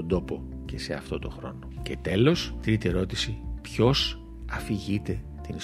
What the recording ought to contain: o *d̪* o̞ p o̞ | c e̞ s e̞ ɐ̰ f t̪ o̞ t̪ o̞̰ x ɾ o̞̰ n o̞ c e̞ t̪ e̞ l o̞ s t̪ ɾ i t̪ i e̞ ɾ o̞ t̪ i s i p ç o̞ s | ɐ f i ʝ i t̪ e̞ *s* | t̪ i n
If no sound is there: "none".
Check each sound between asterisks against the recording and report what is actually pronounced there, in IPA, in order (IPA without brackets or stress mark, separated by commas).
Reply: d̪, none